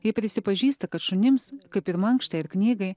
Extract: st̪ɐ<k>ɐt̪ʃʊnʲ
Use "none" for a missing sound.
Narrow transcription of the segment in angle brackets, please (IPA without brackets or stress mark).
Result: k